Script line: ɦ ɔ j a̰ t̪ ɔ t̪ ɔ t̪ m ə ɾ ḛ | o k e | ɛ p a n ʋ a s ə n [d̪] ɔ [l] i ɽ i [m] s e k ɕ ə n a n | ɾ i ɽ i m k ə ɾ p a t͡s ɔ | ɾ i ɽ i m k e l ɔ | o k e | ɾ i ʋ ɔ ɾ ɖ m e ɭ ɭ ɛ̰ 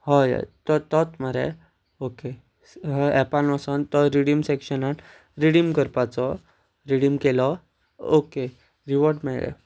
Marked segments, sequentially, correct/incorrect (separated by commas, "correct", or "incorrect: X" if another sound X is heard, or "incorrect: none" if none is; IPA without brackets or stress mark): incorrect: t̪, incorrect: ɾ, correct